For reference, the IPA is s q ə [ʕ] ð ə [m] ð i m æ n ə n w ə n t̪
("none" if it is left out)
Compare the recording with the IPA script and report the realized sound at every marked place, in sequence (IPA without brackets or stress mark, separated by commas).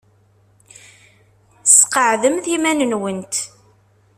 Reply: ʕ, m